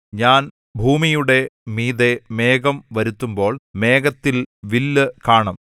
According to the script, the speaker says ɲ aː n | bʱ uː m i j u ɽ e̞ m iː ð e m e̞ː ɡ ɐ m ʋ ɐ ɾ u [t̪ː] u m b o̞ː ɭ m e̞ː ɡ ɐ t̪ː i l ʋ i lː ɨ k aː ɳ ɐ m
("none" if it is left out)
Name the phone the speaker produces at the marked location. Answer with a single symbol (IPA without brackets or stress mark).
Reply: t̪ː